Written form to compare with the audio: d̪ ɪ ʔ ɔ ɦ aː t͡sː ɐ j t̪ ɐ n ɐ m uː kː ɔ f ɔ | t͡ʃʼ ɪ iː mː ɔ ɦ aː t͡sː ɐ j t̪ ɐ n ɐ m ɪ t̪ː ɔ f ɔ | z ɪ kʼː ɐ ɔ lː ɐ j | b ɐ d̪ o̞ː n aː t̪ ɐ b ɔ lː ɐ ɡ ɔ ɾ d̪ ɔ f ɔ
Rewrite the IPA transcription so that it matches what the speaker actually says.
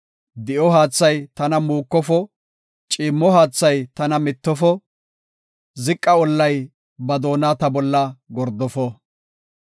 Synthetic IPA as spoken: d̪ ɪ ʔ ɔ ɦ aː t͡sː ɐ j t̪ ɐ n ɐ m uː kː ɔ f ɔ | t͡ʃʼ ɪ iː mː ɔ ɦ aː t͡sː ɐ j t̪ ɐ n ɐ m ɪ t̪ː ɔ f ɔ | z ɪ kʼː ɐ ɔ lː ɐ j | b ɐ d̪ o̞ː n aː t̪ ɐ b ɔ lː ɐ ɡ ɔ ɾ d̪ ɔ f ɔ